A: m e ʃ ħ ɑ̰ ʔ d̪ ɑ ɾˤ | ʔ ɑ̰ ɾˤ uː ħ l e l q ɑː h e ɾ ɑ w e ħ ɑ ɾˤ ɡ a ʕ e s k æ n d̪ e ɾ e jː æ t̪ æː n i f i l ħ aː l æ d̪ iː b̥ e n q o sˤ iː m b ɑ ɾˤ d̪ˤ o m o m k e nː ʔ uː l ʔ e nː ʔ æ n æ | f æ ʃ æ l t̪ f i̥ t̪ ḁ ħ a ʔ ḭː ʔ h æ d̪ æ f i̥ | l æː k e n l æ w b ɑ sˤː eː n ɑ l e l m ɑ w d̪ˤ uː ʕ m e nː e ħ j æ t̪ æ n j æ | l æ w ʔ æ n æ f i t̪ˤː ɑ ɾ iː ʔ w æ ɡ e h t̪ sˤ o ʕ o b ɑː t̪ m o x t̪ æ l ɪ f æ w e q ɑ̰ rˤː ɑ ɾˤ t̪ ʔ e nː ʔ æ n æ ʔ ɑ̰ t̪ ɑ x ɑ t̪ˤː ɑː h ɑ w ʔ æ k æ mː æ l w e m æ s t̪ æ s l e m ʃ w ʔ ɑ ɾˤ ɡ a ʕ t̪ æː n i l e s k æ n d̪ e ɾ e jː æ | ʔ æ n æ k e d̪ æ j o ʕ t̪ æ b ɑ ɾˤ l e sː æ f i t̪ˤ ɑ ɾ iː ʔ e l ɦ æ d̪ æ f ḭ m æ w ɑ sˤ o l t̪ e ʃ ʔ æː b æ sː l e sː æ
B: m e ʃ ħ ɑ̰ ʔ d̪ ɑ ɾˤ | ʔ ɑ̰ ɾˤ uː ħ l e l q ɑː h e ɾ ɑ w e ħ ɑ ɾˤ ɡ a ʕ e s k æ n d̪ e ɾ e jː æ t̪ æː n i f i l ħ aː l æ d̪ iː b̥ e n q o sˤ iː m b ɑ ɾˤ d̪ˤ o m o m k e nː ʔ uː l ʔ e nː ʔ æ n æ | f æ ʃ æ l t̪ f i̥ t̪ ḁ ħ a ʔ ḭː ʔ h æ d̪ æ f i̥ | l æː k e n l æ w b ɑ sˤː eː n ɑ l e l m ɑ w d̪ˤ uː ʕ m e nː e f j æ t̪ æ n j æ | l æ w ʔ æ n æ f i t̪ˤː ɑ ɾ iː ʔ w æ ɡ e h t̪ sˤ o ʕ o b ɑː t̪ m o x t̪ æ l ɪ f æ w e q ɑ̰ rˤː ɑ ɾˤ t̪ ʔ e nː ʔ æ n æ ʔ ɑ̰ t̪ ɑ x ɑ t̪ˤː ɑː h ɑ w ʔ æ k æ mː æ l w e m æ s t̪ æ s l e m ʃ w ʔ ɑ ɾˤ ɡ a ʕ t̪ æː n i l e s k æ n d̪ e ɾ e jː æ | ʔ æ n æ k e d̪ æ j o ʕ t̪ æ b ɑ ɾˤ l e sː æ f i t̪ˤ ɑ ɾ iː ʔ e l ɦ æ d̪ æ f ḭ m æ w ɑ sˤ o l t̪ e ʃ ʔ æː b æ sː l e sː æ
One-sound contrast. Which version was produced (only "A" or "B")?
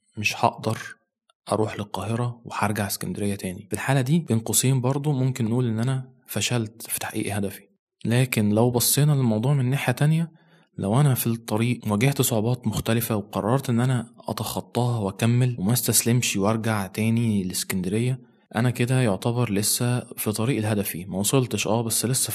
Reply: A